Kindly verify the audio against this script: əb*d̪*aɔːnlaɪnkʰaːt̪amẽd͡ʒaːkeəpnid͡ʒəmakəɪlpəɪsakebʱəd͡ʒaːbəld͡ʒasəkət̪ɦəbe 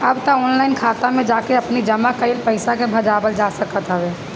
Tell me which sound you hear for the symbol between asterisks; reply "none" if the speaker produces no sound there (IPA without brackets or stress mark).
t̪